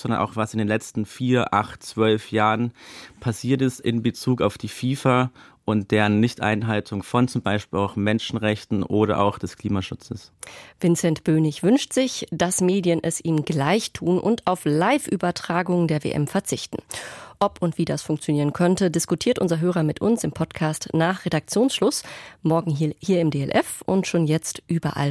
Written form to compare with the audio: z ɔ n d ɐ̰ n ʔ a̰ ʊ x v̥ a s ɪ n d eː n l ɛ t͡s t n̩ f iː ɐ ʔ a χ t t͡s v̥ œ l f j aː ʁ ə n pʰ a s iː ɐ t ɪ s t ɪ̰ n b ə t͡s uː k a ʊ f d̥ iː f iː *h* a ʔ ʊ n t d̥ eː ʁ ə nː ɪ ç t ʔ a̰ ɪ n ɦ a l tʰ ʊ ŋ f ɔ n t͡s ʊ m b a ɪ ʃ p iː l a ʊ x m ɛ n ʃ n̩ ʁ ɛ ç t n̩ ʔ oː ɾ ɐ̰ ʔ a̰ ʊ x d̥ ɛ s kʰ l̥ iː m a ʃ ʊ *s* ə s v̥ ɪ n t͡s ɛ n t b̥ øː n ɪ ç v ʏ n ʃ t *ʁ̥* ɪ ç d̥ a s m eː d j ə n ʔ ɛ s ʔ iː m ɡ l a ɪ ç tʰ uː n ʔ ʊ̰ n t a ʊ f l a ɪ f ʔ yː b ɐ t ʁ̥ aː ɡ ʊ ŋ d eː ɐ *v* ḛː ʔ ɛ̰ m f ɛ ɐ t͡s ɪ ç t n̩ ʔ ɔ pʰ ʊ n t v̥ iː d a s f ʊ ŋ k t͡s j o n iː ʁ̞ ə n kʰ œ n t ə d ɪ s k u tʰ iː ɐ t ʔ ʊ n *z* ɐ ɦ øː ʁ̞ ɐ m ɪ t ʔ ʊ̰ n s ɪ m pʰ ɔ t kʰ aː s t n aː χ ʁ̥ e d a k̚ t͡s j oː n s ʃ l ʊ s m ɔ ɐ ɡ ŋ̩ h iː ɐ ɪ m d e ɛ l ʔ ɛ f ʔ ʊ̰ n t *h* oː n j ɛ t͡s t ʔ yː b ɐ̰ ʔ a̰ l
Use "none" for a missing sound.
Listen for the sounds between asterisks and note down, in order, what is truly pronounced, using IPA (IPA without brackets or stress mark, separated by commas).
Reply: f, t͡s, z̥, v, z, ʃ